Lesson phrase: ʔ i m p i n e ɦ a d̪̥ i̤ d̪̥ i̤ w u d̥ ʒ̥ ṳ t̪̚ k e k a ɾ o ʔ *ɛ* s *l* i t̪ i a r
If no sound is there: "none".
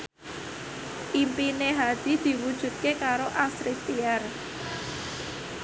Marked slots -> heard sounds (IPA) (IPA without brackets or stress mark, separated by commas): a, ɾ